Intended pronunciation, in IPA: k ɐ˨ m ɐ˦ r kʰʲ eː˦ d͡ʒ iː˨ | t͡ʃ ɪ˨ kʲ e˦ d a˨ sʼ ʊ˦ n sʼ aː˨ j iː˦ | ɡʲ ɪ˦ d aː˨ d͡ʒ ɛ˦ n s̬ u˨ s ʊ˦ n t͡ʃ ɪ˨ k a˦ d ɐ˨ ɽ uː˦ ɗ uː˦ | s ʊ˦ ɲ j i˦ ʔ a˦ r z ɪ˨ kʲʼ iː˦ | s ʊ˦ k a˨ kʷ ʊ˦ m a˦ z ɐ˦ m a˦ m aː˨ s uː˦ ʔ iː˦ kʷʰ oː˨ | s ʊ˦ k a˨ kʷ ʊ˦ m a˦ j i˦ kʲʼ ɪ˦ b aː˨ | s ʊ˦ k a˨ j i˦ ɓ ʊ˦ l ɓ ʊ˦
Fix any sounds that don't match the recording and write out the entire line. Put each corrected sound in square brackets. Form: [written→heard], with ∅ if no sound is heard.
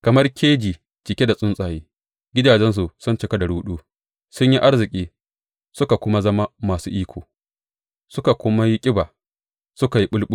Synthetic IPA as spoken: k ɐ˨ m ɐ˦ r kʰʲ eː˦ d͡ʒ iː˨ | t͡ʃ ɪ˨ kʲ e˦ d a˨ sʼ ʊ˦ n sʼ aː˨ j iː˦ | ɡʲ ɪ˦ d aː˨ d͡ʒ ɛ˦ n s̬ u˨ s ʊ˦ n t͡ʃ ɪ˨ k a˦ d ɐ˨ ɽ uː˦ ɗ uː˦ | s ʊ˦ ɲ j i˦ ʔ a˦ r z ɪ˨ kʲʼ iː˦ | s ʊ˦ k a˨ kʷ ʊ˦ m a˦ z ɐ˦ m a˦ m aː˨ s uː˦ ʔ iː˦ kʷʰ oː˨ | s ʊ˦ k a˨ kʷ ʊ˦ m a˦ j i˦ kʲʼ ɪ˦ b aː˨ | s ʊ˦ k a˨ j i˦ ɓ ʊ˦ l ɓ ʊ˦